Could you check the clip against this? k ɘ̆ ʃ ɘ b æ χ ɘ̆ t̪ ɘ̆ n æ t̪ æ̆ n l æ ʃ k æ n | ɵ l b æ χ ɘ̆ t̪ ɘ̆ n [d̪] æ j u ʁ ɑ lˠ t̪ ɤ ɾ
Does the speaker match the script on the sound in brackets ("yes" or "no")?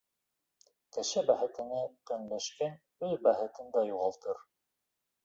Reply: yes